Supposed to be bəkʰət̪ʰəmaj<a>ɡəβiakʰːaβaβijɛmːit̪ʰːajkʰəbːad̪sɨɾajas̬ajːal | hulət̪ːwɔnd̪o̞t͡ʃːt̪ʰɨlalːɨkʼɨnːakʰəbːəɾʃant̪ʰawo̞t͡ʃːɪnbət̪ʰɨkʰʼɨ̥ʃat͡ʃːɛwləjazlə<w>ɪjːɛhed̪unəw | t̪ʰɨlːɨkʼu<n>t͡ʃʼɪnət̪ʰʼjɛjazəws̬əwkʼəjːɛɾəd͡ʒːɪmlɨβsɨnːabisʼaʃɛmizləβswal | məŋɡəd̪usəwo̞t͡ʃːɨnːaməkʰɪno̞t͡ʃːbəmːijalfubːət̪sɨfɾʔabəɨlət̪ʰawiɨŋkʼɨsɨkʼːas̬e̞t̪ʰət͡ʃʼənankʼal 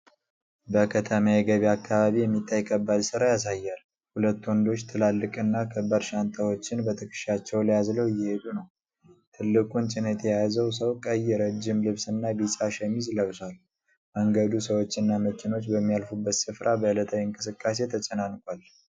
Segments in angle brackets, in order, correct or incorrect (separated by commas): incorrect, correct, correct